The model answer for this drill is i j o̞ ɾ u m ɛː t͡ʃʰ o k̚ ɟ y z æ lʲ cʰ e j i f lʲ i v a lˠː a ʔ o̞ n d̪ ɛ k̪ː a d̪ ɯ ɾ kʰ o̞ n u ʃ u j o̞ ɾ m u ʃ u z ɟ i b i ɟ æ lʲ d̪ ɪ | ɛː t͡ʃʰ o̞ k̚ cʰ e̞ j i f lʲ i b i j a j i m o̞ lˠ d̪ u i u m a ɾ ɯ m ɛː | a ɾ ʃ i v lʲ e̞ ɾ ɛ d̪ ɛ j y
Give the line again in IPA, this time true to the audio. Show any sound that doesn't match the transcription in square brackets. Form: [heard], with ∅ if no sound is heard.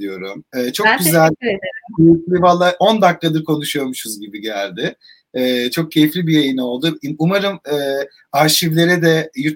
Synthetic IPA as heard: i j o̞ ɾ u m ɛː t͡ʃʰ o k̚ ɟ y z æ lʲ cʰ e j i f lʲ i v a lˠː a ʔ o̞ n d̪ [a] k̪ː a d̪ ɯ ɾ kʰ o̞ n u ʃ u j o̞ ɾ m u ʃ u z ɟ i b i ɟ æ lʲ d̪ ɪ | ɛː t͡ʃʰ o̞ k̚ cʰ e̞ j i f lʲ i b i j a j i [n] o̞ lˠ d̪ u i u m a ɾ ɯ m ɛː | a ɾ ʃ i v lʲ e̞ ɾ ɛ d̪ ɛ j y